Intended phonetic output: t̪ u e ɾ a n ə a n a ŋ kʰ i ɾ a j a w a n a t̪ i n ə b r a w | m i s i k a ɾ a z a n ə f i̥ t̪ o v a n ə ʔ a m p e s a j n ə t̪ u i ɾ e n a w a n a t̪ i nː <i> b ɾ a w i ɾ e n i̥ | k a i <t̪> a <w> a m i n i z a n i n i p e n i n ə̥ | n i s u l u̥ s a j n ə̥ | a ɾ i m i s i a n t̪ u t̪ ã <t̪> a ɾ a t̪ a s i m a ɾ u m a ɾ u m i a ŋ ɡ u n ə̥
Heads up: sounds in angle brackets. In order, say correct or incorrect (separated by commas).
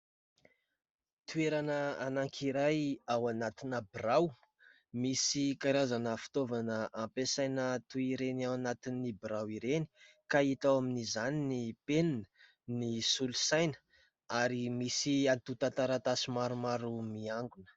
correct, correct, correct, correct